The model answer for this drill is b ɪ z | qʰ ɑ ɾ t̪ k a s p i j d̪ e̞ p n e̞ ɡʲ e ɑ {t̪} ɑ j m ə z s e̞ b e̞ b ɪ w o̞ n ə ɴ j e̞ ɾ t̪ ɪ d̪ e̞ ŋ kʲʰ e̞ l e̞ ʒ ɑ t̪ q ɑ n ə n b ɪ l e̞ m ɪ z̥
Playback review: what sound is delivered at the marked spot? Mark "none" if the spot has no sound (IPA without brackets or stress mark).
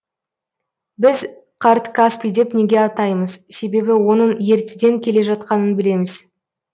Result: t̪